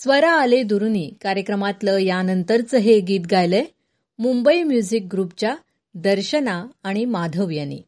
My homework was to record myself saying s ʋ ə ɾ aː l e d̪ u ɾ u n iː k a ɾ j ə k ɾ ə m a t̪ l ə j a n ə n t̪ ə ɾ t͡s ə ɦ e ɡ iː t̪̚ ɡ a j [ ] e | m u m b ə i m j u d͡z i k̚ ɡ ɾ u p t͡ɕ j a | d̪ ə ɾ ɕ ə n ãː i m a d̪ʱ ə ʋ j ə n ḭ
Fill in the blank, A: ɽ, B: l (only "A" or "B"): B